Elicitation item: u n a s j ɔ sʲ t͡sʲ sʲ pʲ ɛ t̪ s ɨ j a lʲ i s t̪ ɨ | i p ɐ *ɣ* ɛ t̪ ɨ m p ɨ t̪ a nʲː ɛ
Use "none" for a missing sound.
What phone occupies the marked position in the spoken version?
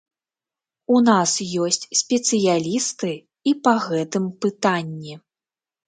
ɣ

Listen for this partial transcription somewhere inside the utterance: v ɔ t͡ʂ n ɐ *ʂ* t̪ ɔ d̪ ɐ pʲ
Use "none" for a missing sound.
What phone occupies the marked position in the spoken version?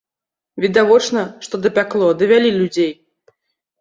ʂ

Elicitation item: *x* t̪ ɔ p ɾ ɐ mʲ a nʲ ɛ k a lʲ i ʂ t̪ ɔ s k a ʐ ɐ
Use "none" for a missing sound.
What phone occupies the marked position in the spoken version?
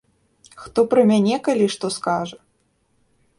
x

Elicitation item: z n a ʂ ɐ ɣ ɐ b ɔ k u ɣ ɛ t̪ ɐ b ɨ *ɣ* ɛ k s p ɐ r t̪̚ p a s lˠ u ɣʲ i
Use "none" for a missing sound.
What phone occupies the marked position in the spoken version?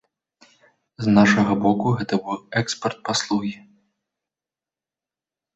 w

